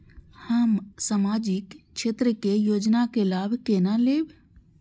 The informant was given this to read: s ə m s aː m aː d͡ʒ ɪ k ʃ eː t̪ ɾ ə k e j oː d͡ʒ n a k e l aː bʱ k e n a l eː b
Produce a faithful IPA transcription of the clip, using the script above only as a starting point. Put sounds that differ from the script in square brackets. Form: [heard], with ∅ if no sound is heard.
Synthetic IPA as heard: [h] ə m s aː m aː d͡ʒ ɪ k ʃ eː t̪ ɾ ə k e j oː d͡ʒ n a k e l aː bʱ k e n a l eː b

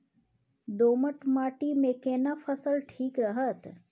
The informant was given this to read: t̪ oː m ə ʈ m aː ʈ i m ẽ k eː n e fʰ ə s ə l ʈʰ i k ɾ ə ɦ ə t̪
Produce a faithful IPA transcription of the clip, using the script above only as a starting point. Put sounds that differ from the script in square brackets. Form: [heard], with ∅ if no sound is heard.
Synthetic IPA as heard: [d̪] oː m ə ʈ m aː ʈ i m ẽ k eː n [a] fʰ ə s ə l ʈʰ [iː] k ɾ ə ɦ ə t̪

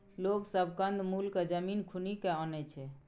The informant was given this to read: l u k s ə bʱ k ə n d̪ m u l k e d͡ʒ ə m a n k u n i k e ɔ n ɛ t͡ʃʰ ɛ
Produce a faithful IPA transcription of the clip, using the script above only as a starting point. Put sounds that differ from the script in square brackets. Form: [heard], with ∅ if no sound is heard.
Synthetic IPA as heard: l [o] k s ə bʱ k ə n d̪ m u l k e d͡ʒ ə m [i] n [kʰ] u n i k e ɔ n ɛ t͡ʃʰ ɛ

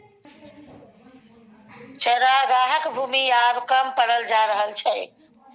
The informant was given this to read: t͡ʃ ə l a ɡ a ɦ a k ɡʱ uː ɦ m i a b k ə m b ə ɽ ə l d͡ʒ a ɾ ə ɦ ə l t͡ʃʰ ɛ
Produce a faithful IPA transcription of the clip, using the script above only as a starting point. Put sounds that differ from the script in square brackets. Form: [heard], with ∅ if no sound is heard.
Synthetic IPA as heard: t͡ʃ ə [ɾ] a ɡ a ɦ [ə] k [bʱ] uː [∅] m i a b k ə m [p] ə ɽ ə l d͡ʒ a ɾ ə ɦ ə l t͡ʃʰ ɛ

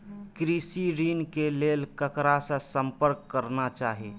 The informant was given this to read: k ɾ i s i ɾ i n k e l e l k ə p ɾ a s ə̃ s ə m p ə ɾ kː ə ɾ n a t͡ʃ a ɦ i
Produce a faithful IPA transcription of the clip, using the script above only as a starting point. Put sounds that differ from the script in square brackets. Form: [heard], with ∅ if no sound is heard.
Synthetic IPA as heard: k ɾ i s i ɾ i n k e l e l k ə [k] ɾ a s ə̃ s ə m p ə ɾ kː ə ɾ n a t͡ʃ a ɦ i

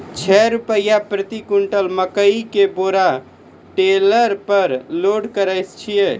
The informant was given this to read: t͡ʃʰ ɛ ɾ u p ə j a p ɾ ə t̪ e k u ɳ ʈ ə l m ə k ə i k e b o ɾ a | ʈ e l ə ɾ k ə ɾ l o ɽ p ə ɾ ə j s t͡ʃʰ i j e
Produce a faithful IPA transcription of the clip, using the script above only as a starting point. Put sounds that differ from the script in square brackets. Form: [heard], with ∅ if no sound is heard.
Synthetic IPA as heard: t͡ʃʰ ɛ ɾ u p ə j a p ɾ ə t̪ [i] k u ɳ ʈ ə l m ə k ə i k e b o ɾ a | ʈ e l ə ɾ [p] ə ɾ l o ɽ [k] ə ɾ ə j s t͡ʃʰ i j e

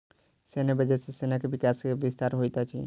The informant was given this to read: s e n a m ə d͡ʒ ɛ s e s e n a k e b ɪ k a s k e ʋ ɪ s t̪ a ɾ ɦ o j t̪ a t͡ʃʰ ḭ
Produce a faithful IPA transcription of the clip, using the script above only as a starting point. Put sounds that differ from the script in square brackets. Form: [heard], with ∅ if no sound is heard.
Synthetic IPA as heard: s e n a [b] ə d͡ʒ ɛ s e s e n a k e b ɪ k a s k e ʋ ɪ s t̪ a ɾ ɦ o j t̪ a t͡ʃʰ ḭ

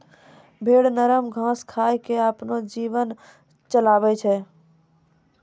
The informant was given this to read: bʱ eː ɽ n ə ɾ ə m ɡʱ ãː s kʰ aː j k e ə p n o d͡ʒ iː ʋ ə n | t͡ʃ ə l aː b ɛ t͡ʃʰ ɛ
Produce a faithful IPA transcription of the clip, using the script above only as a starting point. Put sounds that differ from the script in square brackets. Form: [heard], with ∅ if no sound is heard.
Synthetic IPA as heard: bʱ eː ɽ n ə ɾ ə m ɡʱ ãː s kʰ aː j k e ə p n o d͡ʒ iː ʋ ə n | t͡ʃ ə l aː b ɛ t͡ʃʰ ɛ

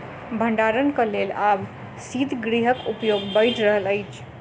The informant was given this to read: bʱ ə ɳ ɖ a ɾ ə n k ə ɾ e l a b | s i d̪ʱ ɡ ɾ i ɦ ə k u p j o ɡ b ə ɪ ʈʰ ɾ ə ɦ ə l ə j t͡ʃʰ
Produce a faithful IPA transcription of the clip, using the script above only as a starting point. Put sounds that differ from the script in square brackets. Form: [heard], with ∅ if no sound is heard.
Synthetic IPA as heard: bʱ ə ɳ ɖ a ɾ ə n k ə [l] e l a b | s i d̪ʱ ɡ ɾ i ɦ ə k u p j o ɡ b ə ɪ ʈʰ ɾ ə ɦ ə l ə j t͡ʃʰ

